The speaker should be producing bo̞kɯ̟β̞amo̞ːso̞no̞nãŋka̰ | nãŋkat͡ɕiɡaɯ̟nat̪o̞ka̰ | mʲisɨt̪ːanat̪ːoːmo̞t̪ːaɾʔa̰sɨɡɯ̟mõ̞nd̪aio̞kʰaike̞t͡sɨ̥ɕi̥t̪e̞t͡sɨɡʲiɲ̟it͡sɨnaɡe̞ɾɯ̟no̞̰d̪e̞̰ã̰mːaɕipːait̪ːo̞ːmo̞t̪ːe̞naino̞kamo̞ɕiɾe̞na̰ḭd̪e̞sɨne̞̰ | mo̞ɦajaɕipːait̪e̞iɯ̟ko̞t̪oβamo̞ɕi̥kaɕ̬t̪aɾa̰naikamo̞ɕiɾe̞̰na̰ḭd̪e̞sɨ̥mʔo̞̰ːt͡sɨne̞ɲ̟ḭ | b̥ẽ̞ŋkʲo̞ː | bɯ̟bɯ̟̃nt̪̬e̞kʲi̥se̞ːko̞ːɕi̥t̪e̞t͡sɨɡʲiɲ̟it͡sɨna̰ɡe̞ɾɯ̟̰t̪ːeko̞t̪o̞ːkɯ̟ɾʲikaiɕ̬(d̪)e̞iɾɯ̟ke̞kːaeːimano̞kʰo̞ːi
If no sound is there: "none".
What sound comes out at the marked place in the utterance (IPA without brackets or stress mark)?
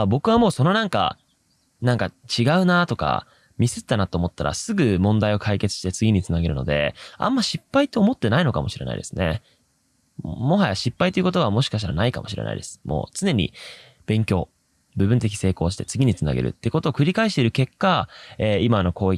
t̪